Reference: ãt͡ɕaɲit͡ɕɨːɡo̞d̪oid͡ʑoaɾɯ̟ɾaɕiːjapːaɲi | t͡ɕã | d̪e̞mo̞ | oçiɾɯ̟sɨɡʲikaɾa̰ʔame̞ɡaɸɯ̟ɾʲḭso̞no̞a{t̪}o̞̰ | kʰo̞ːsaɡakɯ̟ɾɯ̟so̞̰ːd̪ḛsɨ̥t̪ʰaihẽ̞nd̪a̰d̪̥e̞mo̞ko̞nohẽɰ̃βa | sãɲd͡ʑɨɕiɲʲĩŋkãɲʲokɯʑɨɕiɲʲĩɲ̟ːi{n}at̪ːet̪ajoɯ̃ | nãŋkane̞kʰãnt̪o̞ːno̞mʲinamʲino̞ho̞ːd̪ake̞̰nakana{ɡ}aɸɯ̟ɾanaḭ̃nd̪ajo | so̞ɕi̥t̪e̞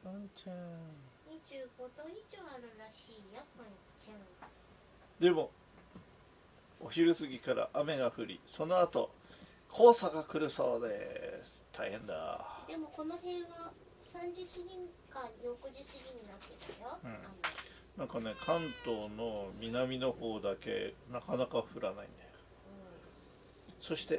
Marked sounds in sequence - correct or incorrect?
correct, correct, incorrect: k

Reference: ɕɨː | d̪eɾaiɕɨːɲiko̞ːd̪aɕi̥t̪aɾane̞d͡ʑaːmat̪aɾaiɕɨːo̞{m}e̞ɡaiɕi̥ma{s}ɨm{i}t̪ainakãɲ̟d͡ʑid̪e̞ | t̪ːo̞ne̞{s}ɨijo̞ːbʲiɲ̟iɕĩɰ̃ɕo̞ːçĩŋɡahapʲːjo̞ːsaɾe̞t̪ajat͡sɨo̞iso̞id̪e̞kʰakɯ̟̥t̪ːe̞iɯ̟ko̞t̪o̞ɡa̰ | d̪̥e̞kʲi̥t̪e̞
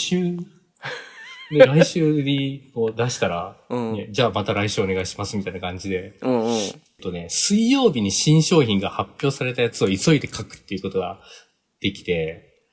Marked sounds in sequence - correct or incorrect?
incorrect: n, correct, correct, correct

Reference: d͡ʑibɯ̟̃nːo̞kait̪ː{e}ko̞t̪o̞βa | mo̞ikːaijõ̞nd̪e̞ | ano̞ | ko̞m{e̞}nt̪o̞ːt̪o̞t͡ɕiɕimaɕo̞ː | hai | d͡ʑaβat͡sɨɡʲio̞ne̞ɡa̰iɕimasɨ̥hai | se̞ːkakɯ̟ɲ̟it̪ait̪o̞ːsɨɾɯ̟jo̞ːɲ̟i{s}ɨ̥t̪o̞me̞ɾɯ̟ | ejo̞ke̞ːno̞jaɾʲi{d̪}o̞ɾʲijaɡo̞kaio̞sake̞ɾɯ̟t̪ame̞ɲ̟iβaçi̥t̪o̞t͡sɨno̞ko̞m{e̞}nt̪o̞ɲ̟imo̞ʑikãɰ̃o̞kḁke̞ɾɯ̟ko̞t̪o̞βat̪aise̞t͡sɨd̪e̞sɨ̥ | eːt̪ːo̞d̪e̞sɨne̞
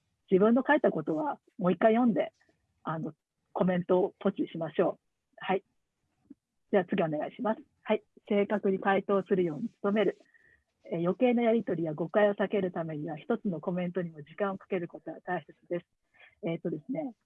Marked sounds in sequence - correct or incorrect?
incorrect: a, incorrect: ẽ̞, incorrect: t͡s, incorrect: t̪, incorrect: ẽ̞

